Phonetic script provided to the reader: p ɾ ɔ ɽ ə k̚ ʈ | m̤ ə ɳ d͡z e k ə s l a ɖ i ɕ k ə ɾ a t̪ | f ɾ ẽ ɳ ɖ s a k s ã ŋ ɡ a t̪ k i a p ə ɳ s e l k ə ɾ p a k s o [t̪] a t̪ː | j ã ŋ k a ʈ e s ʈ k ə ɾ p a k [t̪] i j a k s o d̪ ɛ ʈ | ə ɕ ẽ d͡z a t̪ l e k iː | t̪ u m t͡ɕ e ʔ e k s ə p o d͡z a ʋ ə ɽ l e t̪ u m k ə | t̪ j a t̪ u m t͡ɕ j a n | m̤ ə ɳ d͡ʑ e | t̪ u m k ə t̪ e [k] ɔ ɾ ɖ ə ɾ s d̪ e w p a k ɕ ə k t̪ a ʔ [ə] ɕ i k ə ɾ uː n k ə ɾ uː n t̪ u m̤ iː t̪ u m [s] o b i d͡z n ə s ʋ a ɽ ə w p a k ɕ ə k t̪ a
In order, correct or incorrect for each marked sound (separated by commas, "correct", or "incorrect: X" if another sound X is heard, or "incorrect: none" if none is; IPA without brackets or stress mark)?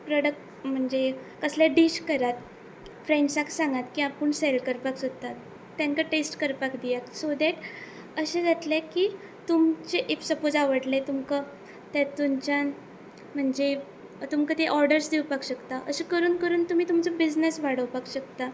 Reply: correct, incorrect: d̪, incorrect: ʔ, correct, incorrect: t͡s